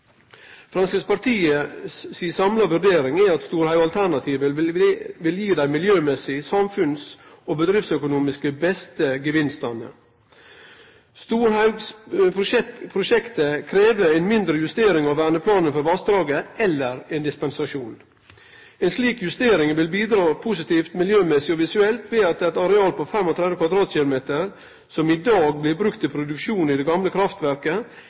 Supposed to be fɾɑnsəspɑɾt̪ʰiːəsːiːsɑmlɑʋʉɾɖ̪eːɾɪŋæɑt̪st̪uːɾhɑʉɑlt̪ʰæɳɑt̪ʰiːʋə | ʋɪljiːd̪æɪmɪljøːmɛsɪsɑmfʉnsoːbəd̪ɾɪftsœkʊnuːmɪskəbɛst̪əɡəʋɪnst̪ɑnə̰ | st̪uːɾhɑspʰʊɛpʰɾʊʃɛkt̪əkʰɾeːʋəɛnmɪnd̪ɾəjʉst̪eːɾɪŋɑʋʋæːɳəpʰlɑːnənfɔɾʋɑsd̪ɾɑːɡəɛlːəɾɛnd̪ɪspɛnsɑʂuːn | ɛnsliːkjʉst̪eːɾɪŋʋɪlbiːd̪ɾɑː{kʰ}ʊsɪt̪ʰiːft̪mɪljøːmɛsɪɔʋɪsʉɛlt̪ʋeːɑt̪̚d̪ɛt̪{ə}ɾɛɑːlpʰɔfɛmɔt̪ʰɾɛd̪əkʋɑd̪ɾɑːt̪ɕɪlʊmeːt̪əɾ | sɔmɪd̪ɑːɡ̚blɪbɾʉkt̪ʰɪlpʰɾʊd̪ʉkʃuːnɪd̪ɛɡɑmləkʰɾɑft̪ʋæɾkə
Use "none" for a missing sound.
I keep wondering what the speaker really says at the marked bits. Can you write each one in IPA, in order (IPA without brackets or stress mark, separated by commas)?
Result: pʰ, ɑ